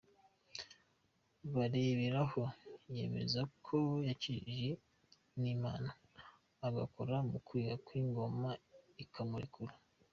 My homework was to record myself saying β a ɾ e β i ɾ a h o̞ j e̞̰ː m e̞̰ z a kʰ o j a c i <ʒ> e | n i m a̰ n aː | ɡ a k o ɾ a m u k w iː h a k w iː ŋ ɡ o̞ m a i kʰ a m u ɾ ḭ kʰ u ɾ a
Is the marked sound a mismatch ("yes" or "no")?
no